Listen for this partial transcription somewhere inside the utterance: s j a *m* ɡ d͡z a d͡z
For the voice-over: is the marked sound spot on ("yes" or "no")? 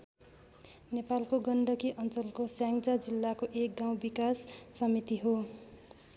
no